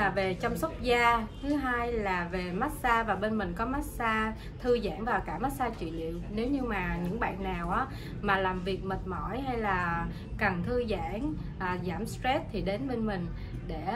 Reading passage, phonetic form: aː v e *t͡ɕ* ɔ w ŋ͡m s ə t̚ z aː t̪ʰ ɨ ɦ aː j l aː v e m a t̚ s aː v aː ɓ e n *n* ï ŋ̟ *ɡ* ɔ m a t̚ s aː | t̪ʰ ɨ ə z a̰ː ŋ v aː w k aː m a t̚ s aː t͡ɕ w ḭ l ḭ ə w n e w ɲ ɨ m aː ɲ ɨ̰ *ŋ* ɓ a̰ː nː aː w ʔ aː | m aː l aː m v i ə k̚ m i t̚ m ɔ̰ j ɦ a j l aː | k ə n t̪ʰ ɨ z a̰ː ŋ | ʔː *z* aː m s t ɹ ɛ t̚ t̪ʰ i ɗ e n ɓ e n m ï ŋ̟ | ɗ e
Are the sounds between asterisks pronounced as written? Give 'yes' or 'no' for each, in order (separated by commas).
yes, no, no, yes, yes